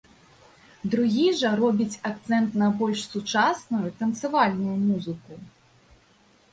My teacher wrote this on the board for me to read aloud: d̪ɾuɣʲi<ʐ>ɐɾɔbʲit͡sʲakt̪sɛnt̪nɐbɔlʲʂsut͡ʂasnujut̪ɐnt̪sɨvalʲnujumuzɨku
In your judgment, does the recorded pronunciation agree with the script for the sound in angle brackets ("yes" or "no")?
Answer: yes